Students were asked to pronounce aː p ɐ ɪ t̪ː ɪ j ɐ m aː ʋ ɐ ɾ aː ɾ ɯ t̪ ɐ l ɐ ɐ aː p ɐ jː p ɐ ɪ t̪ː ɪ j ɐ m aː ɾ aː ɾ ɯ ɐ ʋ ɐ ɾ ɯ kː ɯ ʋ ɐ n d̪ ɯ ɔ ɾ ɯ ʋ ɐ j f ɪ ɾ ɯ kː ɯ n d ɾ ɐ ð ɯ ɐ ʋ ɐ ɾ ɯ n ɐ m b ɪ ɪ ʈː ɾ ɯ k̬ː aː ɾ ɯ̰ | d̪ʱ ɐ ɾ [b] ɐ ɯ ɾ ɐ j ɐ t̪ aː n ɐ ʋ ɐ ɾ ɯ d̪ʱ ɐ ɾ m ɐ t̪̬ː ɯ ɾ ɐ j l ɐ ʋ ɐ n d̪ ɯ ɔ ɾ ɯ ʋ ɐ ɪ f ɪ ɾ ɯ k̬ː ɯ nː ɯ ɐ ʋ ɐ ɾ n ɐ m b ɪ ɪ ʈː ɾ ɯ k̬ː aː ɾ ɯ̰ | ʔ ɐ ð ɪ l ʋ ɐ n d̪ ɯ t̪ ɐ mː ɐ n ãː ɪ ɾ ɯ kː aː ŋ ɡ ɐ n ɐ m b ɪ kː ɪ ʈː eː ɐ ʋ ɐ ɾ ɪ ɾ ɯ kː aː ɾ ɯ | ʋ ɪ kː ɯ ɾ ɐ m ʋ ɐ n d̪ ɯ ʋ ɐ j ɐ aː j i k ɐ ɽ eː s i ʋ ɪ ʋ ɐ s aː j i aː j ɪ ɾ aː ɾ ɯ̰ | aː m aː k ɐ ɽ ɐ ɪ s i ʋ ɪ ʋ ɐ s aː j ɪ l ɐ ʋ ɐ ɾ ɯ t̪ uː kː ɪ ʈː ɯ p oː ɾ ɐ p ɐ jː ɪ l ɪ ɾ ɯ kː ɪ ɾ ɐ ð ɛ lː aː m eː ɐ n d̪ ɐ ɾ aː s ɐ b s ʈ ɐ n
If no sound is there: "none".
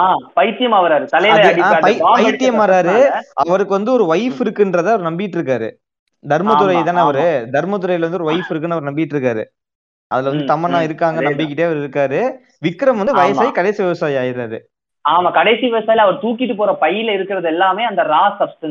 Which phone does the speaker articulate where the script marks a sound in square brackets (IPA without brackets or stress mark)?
m